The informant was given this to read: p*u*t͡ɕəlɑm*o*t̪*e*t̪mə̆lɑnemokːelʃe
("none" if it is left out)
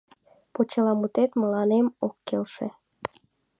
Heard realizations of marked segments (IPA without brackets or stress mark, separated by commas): o, u, e